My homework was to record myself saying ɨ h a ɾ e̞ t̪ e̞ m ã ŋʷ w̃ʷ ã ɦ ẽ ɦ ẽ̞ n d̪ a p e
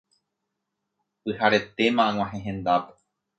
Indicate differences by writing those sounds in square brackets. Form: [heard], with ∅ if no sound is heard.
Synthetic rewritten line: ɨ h a ɾ e̞ t̪ e̞ m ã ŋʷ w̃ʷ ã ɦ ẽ ɦ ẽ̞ n d̪ a p e